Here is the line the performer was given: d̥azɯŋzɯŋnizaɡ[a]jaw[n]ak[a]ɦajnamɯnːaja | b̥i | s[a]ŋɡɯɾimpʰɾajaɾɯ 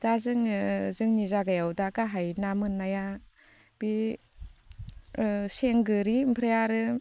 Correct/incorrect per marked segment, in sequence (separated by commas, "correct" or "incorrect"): correct, incorrect, correct, incorrect